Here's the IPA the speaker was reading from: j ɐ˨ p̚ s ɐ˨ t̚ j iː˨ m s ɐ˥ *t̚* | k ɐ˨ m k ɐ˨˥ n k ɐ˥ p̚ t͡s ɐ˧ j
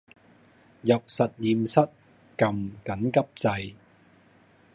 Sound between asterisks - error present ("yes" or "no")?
no